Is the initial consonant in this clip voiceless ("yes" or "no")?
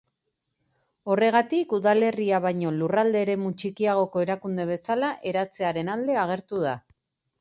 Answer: no